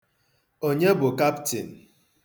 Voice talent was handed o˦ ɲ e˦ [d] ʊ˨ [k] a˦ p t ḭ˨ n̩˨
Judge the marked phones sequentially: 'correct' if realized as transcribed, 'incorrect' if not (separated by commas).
incorrect, correct